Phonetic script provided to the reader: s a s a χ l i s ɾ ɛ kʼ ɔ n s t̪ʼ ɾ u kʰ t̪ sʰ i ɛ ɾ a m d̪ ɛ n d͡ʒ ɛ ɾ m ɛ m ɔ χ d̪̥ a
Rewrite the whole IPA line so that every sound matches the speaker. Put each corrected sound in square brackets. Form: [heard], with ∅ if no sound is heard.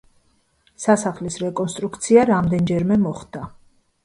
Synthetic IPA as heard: s a s a χ l i s ɾ ɛ kʼ ɔ n s t̪ʼ ɾ u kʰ t̪ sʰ i [a] ɾ a m d̪ ɛ n d͡ʒ ɛ ɾ m ɛ m ɔ χ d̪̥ a